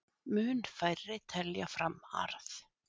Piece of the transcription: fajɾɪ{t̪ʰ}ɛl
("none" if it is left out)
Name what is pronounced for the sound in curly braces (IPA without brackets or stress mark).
t̪ʰ